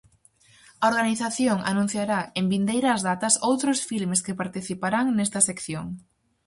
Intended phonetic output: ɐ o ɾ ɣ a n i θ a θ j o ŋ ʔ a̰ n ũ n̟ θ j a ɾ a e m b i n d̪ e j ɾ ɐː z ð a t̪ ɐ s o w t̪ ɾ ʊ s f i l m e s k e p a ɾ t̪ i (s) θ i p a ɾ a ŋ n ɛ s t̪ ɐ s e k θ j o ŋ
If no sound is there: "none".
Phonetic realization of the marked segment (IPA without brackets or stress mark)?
none